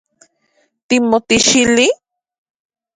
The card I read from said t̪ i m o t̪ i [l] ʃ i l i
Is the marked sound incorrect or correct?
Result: incorrect